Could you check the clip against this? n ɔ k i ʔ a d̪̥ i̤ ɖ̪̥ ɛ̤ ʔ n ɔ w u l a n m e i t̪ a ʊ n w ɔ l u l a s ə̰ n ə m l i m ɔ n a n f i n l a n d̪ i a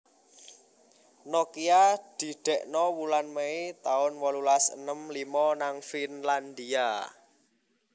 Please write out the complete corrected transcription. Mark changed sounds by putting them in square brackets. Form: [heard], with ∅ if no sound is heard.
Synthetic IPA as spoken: n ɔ k i [∅] a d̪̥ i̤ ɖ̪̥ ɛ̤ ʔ n ɔ w u l a n m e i t̪ a ʊ n w ɔ l u l a s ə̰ n ə m l i m ɔ n a [ŋ] f i n l a n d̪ i a

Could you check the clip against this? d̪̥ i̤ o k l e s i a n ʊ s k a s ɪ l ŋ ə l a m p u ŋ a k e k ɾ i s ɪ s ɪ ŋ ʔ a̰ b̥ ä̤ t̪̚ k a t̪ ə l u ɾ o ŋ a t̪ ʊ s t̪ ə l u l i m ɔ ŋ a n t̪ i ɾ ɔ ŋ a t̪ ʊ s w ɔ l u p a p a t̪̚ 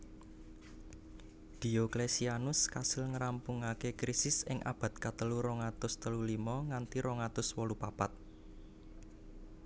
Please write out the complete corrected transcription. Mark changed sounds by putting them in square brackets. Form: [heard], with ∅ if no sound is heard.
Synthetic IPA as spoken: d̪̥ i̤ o k l e s i a n ʊ s k a s ɪ l ŋ ə [ɾ] a m p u ŋ a k e k ɾ i s ɪ s ɪ ŋ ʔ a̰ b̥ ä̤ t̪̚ k a t̪ ə l u ɾ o ŋ a t̪ ʊ s t̪ ə l u l i m ɔ ŋ a n t̪ i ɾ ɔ ŋ a t̪ ʊ s w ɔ l u p a p a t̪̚

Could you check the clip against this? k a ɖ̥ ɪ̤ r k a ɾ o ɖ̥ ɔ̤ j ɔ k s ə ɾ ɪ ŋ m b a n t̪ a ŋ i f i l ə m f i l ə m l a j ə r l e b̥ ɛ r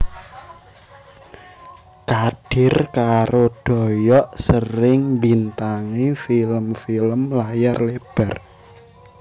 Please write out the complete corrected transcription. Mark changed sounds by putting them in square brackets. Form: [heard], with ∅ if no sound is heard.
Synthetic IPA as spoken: k a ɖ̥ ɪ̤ r k a ɾ o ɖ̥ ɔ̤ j ɔ [ʔ] s ə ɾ ɪ ŋ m b [i] n t̪ a ŋ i f i l ə m f i l ə m l a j [a] r l e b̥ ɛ r

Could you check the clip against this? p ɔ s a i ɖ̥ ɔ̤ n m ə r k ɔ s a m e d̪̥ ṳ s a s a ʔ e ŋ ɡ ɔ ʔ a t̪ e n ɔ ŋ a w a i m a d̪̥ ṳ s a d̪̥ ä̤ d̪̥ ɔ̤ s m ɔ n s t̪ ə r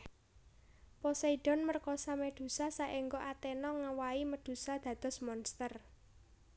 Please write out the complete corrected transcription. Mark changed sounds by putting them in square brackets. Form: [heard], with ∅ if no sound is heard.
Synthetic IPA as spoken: p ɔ s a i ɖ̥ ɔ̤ n m ə r k ɔ s a m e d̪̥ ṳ s a s a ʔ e ŋ ɡ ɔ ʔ a t̪ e n ɔ ŋ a w a i m [ə] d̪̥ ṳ s a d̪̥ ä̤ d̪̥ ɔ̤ s m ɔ n s t̪ ə r

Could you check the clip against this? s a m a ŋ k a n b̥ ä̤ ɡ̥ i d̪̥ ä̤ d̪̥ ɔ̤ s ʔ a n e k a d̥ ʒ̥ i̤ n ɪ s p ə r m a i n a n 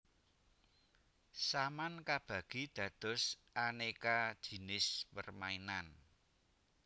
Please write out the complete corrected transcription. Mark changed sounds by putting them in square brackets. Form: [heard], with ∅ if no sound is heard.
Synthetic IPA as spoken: s a m a [n] k a [∅] b̥ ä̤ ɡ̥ i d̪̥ ä̤ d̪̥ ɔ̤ s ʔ a n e k a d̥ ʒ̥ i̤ n ɪ s p ə r m a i n a n

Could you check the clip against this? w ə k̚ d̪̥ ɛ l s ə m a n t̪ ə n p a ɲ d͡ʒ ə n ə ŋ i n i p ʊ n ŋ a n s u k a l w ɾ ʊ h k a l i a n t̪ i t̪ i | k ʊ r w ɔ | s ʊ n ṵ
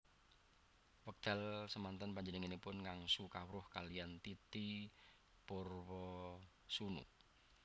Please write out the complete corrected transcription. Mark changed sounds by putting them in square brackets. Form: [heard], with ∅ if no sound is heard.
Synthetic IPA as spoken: w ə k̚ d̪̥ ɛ l s ə m a n t̪ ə n p a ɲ d͡ʒ ə n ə ŋ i n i p ʊ n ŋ a [ŋ] s u k a [∅] w ɾ ʊ h k a l i a n t̪ i t̪ i | [p] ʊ r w ɔ | s [u] n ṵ

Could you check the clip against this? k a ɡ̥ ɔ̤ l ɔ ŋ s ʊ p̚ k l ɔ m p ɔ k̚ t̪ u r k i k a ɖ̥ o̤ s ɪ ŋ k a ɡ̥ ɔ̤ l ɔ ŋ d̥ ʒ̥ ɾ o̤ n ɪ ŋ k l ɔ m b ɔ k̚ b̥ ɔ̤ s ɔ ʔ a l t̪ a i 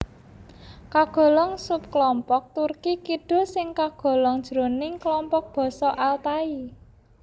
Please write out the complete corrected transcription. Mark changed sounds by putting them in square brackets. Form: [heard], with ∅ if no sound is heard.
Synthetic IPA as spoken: k a ɡ̥ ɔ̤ l ɔ ŋ s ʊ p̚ k l ɔ m p ɔ k̚ t̪ u r k i k [i] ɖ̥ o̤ s ɪ ŋ k a ɡ̥ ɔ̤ l ɔ ŋ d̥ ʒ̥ ɾ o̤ n ɪ ŋ k l ɔ m [p] ɔ k̚ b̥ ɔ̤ s ɔ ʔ a l t̪ a i

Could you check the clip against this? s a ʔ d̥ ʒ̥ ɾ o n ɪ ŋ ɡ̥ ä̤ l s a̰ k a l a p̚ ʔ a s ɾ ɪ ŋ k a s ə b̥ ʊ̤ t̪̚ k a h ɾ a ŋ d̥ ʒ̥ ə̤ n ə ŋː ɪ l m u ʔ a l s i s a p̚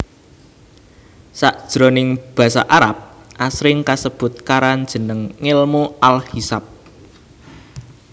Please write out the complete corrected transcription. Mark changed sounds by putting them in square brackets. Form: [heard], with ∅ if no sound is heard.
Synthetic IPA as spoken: s a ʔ d̥ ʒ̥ ɾ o n ɪ ŋ [b̥] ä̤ [∅] s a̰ [ʔ] a [ɾ] a p̚ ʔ a s ɾ ɪ ŋ k a s ə b̥ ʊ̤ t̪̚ k a [∅] ɾ a [n] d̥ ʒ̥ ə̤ n ə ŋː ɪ l m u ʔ a l [h] i s a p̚

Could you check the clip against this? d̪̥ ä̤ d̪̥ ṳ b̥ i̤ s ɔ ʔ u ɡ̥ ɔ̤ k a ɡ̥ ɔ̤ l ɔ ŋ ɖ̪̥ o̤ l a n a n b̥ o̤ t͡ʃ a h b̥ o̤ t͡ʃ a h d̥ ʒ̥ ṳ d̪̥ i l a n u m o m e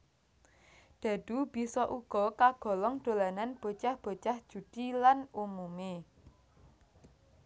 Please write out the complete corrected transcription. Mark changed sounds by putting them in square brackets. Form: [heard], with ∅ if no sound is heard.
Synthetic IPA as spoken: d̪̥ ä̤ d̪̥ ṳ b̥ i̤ s ɔ ʔ u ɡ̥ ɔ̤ k a ɡ̥ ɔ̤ l ɔ ŋ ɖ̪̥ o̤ l a n a n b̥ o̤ t͡ʃ a h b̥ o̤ t͡ʃ a h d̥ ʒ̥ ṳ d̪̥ i l a n u m [u] m e

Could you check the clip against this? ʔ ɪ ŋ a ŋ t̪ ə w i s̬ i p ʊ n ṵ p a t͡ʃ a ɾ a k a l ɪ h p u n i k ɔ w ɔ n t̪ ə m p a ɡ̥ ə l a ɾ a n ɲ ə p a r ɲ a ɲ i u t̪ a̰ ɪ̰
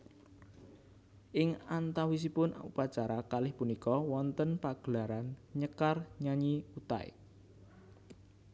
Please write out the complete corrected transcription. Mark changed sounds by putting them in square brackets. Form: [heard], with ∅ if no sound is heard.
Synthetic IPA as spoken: ʔ ɪ ŋ a [n] t̪ [a] w i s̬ i p ʊ n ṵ p a t͡ʃ a ɾ a k a l ɪ h p u n i k ɔ w ɔ n t̪ ə [n] p a ɡ̥ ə l a ɾ a n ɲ ə [k] a r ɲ a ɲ i u t̪ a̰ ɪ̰

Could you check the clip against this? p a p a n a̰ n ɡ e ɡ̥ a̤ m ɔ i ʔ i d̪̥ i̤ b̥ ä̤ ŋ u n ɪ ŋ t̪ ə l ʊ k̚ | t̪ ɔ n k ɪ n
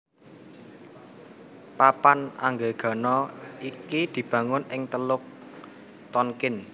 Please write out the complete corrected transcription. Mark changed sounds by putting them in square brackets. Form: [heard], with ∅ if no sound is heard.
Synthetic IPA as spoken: p a p a n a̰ [ŋ] ɡ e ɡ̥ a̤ [n] ɔ i [k] i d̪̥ i̤ b̥ ä̤ ŋ [ʊ] n ɪ ŋ t̪ ə l ʊ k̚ | t̪ ɔ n k ɪ n

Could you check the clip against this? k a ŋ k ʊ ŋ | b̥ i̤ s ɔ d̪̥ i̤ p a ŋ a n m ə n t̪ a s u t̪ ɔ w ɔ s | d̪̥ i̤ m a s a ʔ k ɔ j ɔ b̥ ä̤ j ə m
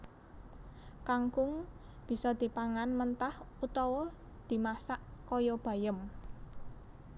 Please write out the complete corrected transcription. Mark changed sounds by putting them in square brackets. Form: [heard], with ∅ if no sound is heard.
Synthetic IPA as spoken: k a ŋ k ʊ ŋ | b̥ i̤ s ɔ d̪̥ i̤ p a ŋ a n m ə n t̪ a [h] u t̪ ɔ w ɔ [∅] | d̪̥ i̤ m a s a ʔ k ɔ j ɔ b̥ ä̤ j ə m

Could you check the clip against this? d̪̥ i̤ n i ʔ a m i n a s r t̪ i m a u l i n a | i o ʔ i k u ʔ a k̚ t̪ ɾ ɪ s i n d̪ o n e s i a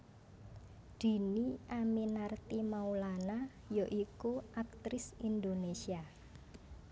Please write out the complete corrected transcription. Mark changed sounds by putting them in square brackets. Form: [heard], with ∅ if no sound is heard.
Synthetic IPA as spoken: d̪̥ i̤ n i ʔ a m i n a [∅] r t̪ i m a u l [a] n a | [j] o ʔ i k u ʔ a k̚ t̪ ɾ ɪ s i n d̪ o n e s i a

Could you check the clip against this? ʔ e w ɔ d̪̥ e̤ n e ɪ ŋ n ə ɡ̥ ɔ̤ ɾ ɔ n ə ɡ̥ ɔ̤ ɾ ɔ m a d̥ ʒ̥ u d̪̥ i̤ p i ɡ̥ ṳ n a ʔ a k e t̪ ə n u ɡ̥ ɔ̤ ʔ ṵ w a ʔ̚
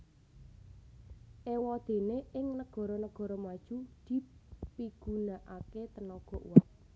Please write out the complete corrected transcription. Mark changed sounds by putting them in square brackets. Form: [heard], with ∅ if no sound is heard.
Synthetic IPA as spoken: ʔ e w ɔ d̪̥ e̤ n e ɪ ŋ n ə ɡ̥ ɔ̤ ɾ ɔ n ə ɡ̥ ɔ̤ ɾ ɔ m a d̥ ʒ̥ u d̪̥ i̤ p i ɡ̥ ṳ n a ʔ a k e t̪ ə n [ɔ] ɡ̥ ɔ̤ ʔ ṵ w a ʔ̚

